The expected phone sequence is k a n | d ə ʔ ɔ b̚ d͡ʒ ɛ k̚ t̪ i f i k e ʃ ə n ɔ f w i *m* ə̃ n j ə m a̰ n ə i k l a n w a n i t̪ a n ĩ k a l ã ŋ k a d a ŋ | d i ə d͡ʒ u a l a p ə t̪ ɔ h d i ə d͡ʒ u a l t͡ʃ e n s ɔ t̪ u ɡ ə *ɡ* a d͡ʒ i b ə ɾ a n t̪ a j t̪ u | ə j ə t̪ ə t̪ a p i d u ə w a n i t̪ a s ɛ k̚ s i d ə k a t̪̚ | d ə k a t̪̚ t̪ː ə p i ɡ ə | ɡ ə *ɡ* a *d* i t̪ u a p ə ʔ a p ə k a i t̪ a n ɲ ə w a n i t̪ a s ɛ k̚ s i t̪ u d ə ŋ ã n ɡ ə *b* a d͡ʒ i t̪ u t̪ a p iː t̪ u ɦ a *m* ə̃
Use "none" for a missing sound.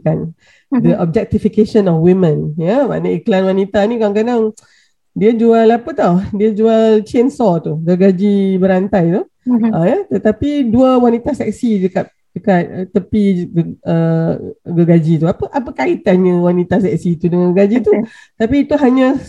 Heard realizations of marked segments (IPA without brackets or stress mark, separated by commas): m, ɡ, ɡ, d͡ʒ, ɡ, ɲ